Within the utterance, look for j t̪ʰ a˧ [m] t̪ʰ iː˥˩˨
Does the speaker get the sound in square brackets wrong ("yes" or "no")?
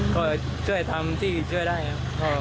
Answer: no